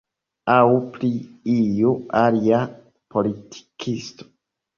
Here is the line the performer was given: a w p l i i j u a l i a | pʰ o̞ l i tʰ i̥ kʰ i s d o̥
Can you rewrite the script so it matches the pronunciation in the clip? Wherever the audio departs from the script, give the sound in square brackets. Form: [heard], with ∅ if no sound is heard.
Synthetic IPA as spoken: a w p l i i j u a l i a | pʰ o̞ l i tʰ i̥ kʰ i s [t] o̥